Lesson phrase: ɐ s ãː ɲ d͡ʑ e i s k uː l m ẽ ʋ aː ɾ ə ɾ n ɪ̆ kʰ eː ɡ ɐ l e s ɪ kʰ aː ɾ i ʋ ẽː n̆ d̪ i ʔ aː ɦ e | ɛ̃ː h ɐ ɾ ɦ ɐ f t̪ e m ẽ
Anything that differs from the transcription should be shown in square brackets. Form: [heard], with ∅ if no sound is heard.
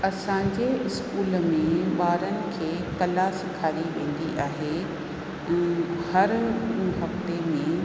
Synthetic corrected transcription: ɐ s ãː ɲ d͡ʑ e [ɪ] s k uː l m ẽ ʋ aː ɾ ə [∅] n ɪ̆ kʰ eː [k] ɐ l [a] s ɪ kʰ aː ɾ i ʋ ẽː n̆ d̪ i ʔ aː ɦ e | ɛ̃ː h ɐ ɾ ɦ ɐ f t̪ e m ẽ